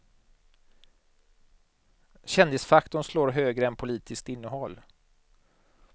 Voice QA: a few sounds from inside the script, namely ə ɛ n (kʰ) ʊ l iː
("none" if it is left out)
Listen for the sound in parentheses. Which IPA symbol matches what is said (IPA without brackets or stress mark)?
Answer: pʰ